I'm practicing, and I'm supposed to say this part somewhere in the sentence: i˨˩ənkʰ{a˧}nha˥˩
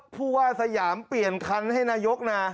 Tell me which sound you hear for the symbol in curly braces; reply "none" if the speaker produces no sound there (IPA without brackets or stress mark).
a˧